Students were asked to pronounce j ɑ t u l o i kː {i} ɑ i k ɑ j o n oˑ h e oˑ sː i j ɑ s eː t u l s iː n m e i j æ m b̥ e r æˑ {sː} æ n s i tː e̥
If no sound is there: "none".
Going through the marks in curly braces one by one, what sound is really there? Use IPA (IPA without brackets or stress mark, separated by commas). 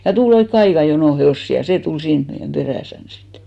e, s